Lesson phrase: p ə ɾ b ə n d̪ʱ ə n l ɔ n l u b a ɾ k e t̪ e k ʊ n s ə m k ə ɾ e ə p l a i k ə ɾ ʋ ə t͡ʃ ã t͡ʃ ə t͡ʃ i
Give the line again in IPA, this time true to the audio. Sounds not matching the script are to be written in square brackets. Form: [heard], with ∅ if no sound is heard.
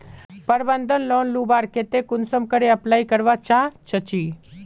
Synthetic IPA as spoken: p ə ɾ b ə n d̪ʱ ə n l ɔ n l u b a ɾ k e t̪ e k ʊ n s ə m k ə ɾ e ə p l a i k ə ɾ ʋ [a] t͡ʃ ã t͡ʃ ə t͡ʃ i

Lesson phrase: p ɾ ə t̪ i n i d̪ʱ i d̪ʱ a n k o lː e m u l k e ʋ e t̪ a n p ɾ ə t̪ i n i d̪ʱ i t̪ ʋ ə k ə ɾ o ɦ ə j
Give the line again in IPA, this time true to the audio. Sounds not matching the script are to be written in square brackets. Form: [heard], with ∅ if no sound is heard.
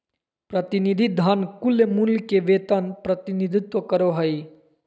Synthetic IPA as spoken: p ɾ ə t̪ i n i d̪ʱ i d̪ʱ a n k [u] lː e m u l k e ʋ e t̪ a n p ɾ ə t̪ i n i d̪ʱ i t̪ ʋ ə k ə ɾ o ɦ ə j

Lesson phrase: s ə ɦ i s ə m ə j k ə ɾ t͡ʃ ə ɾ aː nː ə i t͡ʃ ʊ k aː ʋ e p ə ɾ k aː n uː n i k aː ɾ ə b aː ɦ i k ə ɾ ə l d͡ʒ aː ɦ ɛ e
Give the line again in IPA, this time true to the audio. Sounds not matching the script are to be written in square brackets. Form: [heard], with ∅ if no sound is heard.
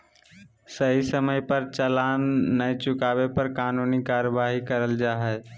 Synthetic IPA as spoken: s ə ɦ i s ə m ə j [p] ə ɾ t͡ʃ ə [l] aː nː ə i t͡ʃ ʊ k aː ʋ e p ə ɾ k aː n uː n i k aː ɾ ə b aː ɦ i k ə ɾ ə l d͡ʒ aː ɦ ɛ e

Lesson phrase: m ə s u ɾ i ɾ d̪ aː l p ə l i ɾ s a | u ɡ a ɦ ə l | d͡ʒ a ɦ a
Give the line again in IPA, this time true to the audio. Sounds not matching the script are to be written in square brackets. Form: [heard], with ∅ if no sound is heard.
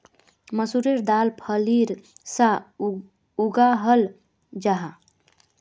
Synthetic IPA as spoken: m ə s u ɾ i ɾ d̪ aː l [pʰ] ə l i ɾ s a | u ɡ a ɦ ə l | d͡ʒ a ɦ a

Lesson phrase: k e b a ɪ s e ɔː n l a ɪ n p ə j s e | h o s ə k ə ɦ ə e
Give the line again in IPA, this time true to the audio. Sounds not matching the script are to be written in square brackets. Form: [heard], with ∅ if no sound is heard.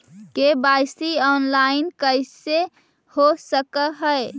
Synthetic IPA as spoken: k e b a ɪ s [i] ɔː n l a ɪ n [k] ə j s e | h o s ə k ə ɦ ə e

